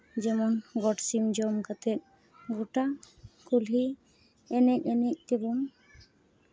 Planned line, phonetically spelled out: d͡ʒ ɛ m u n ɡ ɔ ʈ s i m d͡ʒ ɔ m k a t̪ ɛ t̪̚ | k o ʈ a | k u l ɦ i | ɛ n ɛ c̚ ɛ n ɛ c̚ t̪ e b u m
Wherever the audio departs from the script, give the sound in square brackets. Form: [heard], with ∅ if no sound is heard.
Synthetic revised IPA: d͡ʒ ɛ m [ɔ] n ɡ ɔ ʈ s i m d͡ʒ ɔ m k a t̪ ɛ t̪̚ | [ɡ] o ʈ a | k u l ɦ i | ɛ n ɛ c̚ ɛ n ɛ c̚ t̪ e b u m